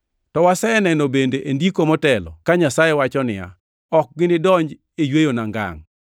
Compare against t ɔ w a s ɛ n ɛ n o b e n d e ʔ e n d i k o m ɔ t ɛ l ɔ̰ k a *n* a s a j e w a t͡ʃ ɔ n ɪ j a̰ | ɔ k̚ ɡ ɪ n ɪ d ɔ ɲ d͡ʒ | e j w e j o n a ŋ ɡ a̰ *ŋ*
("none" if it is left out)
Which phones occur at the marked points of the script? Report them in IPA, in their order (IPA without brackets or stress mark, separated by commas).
ɲ, ŋ